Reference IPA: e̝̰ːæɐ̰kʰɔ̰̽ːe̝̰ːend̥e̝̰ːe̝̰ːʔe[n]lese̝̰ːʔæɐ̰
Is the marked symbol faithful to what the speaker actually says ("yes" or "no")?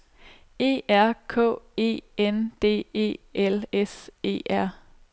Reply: no